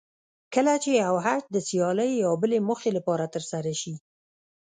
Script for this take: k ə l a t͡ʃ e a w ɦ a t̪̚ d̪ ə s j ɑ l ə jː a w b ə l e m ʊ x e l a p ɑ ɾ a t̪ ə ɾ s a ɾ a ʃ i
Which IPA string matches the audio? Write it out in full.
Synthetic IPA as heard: k ə l a t͡ʃ e a w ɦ a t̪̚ d̪ ə s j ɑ l ə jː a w b ə l e m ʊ x e l a p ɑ ɾ a t̪ ə ɾ s a ɾ a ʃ i